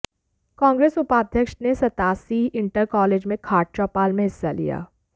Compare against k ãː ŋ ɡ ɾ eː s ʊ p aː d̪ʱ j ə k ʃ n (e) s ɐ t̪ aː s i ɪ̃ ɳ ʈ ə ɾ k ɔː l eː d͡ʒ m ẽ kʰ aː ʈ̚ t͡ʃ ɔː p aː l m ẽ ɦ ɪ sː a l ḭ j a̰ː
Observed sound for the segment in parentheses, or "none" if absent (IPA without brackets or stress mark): e